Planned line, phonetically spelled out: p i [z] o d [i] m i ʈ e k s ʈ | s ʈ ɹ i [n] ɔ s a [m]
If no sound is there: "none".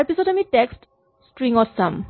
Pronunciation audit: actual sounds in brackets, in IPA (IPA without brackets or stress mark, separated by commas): s, a, ŋ, m